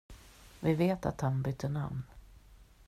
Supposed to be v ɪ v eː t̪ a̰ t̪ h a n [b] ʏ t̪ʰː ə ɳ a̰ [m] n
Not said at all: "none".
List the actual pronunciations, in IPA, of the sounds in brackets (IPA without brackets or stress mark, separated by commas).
b, m